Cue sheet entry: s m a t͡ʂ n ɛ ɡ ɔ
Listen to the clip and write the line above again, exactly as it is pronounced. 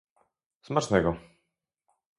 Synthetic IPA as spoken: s m a t͡ʂ n ɛ ɡ ɔ

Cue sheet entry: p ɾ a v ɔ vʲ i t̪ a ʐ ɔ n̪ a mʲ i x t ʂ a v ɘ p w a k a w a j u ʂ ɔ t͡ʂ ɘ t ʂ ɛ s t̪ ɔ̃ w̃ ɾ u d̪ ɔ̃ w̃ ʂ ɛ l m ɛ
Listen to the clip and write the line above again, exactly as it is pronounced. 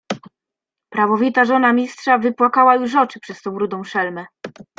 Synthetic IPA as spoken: p ɾ a v ɔ vʲ i t̪ a ʐ ɔ n̪ a mʲ i s t ʂ a v ɘ p w a k a w a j u ʂ ɔ t͡ʂ ɘ p ʂ ɛ s t̪ ɔ̃ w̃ ɾ u d̪ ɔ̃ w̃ ʂ ɛ l m ɛ

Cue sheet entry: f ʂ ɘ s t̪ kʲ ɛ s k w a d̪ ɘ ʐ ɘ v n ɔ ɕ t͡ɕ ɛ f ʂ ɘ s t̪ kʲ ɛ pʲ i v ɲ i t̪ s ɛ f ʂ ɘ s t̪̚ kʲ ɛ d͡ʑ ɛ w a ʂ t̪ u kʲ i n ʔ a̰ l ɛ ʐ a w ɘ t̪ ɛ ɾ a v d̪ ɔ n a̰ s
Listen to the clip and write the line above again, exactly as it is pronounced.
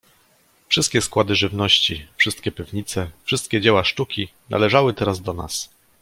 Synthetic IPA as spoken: f ʂ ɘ s t̪ kʲ ɛ s k w a d̪ ɘ ʐ ɘ v n ɔ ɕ t͡ɕ i f ʂ ɘ s t̪ kʲ ɛ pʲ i v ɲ i t̪ s ɛ f ʂ ɘ s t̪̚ kʲ ɛ d͡ʑ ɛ w a ʂ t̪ u kʲ i n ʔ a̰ l ɛ ʐ a w ɘ t̪ ɛ ɾ a z d̪ ɔ n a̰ s

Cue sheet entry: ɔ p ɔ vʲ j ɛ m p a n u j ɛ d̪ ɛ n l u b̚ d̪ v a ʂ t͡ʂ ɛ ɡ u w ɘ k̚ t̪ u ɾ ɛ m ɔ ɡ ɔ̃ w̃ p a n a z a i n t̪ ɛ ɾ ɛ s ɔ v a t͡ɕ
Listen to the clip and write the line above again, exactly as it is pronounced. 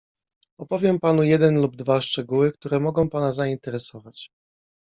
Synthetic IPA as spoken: ɔ p ɔ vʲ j ɛ m p a n u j ɛ d̪ ɛ n l u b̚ d̪ v a ʂ t͡ʂ ɛ ɡ u w ɘ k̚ t̪ u ɾ ɛ m ɔ ɡ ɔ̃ w̃ p a n a z a i n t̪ ɛ ɾ ɛ s ɔ v a t͡ɕ

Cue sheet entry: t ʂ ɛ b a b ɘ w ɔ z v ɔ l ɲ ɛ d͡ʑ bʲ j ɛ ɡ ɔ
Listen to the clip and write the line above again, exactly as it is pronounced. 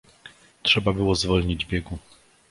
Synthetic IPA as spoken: t ʂ ɛ b a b ɘ w ɔ z v ɔ l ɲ i d͡ʑ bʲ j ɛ ɡ u

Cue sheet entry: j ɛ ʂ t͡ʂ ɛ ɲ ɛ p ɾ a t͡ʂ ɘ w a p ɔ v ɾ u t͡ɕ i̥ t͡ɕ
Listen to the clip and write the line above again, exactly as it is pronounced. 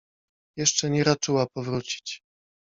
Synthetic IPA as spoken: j ɛ ʂ t͡ʂ ɛ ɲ ɛ ɾ a t͡ʂ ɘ w a p ɔ v ɾ u t͡ɕ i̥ t͡ɕ

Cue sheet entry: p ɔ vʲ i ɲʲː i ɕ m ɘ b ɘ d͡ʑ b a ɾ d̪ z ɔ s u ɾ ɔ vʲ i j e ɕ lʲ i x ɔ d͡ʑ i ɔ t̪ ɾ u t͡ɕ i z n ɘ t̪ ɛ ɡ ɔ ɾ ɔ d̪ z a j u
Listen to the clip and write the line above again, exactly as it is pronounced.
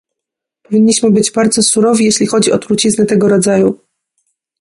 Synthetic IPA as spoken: p ɔ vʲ i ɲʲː i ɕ m ɘ b ɘ d͡ʑ b a ɾ d̪ z ɔ s u ɾ ɔ vʲ i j e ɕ lʲ i x ɔ d͡ʑ i ɔ t̪ ɾ u t͡ɕ i z n ɘ t̪ ɛ ɡ ɔ ɾ ɔ d̪ z a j u

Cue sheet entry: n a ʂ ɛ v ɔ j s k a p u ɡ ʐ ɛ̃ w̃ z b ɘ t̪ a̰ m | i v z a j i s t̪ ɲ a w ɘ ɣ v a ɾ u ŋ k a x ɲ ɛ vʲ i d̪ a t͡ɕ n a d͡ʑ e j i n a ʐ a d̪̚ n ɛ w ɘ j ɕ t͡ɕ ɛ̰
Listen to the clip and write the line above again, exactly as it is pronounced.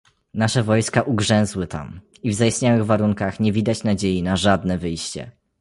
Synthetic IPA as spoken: n a ʂ ɛ v ɔ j s k a ʔ u ɡ ʐ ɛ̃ w̃ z w ɘ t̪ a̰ m | i v z a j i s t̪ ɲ a w ɘ ɣ v a ɾ u ŋ k a x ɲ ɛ vʲ i d̪ a t͡ɕ n a d͡ʑ e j i n a ʐ a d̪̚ n ɛ v ɘ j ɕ t͡ɕ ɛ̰

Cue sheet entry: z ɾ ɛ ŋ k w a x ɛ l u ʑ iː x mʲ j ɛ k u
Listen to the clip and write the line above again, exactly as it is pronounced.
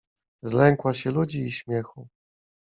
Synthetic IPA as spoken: z l ɛ ŋ k w a ɕ ɛ l u d͡ʑ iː ɕ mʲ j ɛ x u

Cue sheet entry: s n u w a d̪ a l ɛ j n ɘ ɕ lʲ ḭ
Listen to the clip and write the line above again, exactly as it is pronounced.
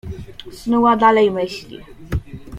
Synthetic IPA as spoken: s n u w a d̪ a l ɛ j m ɘ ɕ lʲ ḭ

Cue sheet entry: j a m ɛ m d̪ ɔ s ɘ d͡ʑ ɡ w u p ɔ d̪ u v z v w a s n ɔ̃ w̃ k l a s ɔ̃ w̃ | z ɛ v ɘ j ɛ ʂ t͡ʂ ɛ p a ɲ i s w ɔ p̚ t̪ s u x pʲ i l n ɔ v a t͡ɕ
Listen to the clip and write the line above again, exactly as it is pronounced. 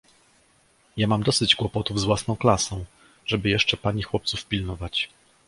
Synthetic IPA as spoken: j a m a m d̪ ɔ s ɘ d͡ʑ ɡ w ɔ p ɔ t̪ u v z v w a s n ɔ̃ w̃ k l a s ɔ̃ w̃ | ʐ ɛ b ɘ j ɛ ʂ t͡ʂ ɛ p a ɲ i x w ɔ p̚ t̪ s u f pʲ i l n ɔ v a t͡ɕ

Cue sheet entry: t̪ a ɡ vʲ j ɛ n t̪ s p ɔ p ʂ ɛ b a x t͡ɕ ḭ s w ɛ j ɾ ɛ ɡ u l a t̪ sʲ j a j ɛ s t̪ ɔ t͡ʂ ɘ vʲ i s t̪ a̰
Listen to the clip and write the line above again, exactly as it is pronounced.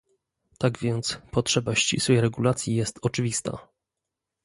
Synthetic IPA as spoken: t̪ a ɡ vʲ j ɛ n t̪ s p ɔ t ʂ ɛ b a ɕ t͡ɕ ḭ s w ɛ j ɾ ɛ ɡ u l a t̪ sʲ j i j ɛ s t̪ ɔ t͡ʂ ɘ vʲ i s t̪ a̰

